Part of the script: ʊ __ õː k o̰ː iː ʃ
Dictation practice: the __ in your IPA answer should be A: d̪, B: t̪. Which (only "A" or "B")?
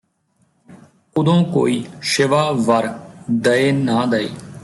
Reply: A